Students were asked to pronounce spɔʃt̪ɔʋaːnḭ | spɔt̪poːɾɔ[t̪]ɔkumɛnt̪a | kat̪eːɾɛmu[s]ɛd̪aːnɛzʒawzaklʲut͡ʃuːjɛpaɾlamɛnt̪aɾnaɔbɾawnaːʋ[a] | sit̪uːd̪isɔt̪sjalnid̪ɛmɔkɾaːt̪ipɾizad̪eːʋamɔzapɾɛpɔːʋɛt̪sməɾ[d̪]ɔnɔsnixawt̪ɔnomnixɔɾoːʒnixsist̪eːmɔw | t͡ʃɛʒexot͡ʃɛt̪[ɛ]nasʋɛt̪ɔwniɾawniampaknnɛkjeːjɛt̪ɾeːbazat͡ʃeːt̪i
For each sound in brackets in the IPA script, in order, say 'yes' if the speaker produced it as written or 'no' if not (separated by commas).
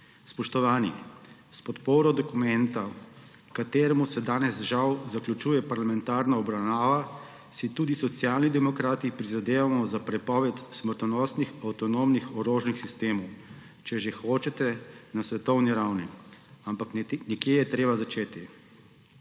no, yes, yes, no, yes